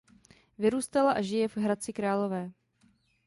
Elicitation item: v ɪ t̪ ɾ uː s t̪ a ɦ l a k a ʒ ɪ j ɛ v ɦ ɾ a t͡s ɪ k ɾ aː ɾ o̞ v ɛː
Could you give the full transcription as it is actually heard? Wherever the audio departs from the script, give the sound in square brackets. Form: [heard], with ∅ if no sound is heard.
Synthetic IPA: v ɪ [∅] ɾ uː s t̪ a [∅] l a [ʔ] a ʒ ɪ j ɛ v ɦ ɾ a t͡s ɪ k ɾ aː [l] o̞ v ɛː